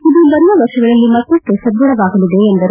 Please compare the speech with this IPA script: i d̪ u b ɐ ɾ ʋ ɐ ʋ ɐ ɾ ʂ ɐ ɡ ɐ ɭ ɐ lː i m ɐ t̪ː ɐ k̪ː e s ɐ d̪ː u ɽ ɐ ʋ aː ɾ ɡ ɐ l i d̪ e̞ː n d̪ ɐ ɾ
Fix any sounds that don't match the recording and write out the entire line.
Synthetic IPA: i d̪ u b ɐ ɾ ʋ ɐ ʋ ɐ ɾ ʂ ɐ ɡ ɐ ɭ ɐ lː i m ɐ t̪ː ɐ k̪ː e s ɐ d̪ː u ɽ ɐ ʋ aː ɡ ɐ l i d̪ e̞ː n d̪ ɐ ɾ